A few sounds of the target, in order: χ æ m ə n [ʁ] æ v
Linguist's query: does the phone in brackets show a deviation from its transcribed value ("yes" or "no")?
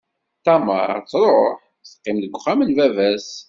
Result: yes